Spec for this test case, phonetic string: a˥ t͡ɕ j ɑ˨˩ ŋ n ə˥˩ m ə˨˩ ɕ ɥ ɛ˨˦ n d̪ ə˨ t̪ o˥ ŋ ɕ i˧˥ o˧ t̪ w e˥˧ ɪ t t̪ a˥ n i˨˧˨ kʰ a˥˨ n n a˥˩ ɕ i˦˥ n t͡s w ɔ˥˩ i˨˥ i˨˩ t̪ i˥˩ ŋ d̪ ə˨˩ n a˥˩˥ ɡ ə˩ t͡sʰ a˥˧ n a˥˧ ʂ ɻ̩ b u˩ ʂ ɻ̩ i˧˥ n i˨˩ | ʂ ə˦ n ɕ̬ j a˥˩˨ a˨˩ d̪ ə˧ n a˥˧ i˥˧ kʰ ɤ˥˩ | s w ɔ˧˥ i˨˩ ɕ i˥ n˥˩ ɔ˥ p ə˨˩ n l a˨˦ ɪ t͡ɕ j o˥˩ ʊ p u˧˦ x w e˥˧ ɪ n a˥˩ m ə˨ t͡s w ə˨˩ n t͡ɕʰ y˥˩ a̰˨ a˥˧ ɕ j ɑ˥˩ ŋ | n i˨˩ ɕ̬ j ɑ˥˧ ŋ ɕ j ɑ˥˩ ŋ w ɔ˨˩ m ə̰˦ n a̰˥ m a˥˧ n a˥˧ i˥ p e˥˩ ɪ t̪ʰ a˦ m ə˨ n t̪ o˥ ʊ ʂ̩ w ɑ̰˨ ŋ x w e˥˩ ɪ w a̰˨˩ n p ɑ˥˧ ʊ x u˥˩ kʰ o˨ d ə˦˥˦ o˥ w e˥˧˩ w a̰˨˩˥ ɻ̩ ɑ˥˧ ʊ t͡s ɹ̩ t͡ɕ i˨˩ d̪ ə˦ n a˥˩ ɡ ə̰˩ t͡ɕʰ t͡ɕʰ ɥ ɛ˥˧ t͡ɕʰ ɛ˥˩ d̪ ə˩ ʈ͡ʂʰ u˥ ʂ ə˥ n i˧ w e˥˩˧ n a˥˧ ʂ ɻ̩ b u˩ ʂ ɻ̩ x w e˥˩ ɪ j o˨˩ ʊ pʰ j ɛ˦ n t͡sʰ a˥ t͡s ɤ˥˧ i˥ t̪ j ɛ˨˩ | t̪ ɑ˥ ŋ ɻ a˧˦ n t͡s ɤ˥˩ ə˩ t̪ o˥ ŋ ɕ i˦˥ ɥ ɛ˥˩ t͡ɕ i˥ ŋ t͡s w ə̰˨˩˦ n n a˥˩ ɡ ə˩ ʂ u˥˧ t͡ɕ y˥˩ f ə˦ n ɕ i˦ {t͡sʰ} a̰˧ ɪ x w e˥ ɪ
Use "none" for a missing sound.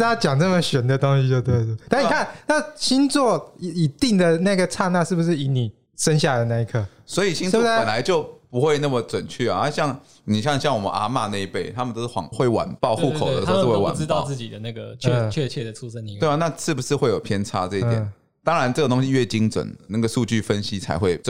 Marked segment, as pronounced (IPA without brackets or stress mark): t͡sʰ